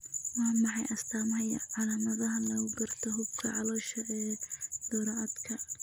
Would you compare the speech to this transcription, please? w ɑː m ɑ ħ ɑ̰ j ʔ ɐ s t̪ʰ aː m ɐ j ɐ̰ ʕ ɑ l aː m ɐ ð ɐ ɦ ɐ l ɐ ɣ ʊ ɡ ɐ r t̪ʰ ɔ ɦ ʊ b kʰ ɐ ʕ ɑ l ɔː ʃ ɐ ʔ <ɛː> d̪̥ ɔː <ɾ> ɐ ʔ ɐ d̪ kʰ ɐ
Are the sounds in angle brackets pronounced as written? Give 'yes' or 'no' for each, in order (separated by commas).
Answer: yes, yes